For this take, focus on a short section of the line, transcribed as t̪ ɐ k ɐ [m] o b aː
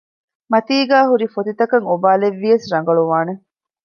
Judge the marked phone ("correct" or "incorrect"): incorrect